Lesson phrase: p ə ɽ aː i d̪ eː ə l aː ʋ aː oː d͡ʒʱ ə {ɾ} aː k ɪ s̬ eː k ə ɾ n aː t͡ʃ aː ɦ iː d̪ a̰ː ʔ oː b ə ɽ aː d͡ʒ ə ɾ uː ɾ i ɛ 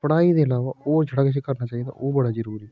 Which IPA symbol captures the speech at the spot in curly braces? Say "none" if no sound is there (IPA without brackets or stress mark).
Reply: ɽ